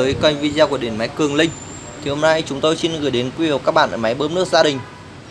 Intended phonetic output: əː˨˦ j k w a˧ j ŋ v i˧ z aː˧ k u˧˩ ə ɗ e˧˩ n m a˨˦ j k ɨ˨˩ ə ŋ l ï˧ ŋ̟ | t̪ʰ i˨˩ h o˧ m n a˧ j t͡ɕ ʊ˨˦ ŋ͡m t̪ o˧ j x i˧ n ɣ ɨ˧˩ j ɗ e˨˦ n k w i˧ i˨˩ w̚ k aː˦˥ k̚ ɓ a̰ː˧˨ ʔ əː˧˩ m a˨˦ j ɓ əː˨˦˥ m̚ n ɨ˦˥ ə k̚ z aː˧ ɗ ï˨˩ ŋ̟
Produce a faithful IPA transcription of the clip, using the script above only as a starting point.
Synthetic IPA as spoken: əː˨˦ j k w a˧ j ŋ v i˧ z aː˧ k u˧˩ ə ɗ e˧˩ n m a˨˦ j k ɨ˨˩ ə ŋ l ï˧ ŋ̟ | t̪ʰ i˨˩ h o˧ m n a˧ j t͡ɕ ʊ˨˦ ŋ͡m t̪ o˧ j s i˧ n ɣ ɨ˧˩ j ɗ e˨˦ n k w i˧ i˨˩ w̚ k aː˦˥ k̚ ɓ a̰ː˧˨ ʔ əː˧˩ m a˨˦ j ɓ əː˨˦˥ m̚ n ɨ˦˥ ə k̚ z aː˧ ɗ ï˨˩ ŋ̟